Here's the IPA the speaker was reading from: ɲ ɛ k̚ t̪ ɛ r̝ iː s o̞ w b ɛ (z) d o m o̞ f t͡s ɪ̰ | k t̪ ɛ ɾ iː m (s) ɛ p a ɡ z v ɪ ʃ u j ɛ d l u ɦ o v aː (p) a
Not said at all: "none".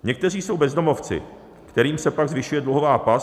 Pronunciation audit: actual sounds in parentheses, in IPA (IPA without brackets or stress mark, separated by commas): z, s, p